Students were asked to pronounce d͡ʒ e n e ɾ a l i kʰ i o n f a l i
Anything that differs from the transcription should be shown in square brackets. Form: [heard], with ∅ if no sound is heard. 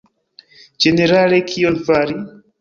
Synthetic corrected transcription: d͡ʒ e n e ɾ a l [e] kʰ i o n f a [ɾ] i